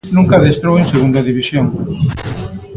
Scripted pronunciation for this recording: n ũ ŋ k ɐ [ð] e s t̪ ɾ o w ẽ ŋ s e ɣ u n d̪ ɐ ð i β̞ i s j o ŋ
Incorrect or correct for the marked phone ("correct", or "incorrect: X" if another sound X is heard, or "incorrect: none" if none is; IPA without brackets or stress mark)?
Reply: correct